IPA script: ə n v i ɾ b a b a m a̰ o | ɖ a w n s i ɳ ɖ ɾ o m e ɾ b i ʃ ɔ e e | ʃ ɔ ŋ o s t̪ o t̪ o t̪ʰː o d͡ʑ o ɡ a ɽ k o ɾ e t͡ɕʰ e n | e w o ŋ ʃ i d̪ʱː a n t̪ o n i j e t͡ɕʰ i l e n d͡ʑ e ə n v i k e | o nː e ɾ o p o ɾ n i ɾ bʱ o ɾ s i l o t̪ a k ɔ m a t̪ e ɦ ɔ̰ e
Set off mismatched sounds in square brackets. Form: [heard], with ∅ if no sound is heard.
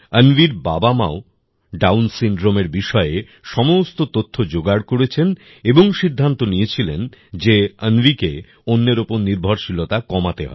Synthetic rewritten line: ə n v i ɾ b a b a m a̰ o | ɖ a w n s i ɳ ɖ ɾ o m e ɾ b i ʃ ɔ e e | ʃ ɔ [m] o s t̪ o t̪ o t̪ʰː o d͡ʑ o ɡ a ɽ k o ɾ e t͡ɕʰ e n | e [b] o ŋ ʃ i d̪ʱː a n t̪ o n i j e t͡ɕʰ i l e n d͡ʑ e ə n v i k e | o nː e ɾ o p o ɾ n i ɾ bʱ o ɾ [ʃ] i l o t̪ a k ɔ m a t̪ e ɦ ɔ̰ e